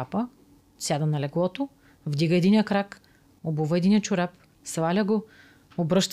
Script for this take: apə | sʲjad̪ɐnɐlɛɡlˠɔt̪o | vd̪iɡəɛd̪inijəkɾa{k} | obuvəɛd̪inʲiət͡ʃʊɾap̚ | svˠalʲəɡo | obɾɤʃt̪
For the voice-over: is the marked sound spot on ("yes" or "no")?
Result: yes